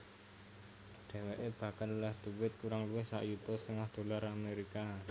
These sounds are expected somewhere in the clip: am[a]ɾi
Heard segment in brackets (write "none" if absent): e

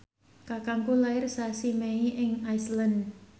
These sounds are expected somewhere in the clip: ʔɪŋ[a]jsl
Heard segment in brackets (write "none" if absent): a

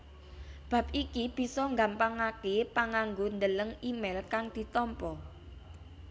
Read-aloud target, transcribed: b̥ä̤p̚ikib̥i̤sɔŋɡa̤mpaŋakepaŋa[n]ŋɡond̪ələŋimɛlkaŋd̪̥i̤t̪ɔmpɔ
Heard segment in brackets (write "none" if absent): none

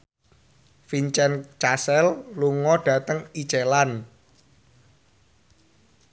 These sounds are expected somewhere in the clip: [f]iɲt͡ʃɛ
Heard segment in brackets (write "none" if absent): f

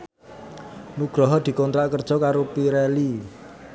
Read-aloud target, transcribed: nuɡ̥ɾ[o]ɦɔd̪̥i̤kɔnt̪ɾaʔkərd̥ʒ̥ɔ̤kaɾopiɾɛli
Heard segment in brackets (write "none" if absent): ɔ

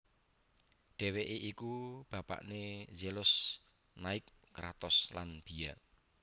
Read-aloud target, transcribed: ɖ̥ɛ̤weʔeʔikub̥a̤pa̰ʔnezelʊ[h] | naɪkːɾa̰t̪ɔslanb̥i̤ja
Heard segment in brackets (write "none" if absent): s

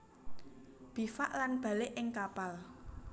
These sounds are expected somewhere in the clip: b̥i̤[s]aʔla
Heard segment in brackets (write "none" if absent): f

